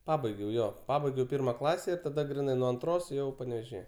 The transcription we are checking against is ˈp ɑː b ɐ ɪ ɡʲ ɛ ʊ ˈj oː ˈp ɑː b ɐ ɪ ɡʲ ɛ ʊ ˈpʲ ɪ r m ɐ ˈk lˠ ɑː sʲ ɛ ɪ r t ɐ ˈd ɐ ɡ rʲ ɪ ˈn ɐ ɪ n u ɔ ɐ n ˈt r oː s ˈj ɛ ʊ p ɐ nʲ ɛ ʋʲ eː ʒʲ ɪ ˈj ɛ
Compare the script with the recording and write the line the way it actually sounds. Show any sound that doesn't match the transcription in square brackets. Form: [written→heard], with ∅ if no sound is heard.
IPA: ˈp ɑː b ɐ ɪ ɡʲ ɛ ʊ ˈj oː ˈp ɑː b ɐ ɪ ɡʲ ɛ ʊ ˈpʲ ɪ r m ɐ ˈk lˠ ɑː sʲ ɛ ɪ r t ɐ ˈd ɐ ɡ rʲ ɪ ˈn ɐ ɪ n u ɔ ɐ n ˈt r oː s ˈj ɛ ʊ p ɐ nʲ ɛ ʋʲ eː ʒʲ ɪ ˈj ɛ

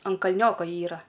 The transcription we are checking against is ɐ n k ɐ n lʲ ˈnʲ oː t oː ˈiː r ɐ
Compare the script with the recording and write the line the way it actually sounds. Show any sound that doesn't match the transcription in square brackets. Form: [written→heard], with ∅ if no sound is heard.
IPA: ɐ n k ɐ [n→∅] lʲ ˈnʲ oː [t→k] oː ˈiː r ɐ

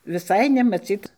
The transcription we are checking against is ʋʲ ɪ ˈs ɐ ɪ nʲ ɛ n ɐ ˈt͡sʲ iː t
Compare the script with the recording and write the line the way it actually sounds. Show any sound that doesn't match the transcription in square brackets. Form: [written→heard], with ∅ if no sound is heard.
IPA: ʋʲ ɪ ˈs ɐ ɪ nʲ ɛ [n→m] ɐ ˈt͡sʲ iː t

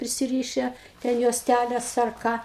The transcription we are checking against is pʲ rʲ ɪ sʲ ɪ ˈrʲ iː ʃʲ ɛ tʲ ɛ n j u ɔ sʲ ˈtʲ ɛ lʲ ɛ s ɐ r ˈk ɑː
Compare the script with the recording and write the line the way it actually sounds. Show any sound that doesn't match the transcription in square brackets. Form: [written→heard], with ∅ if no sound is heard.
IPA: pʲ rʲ ɪ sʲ ɪ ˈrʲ iː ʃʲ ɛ tʲ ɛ n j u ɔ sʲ ˈtʲ [ɛ→æ] lʲ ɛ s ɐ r ˈk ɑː

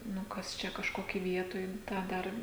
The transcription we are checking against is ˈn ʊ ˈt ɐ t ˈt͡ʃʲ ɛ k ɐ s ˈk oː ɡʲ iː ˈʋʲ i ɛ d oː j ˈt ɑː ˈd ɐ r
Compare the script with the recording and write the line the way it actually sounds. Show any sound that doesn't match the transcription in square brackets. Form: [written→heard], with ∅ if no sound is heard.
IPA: ˈn ʊ [ˈt→ˈk] ɐ [t→s] ˈt͡ʃʲ ɛ k ɐ [s→ʃ] ˈk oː [ɡʲ→kʲ] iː ˈʋʲ i ɛ [d→t] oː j ˈt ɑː ˈd ɐ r

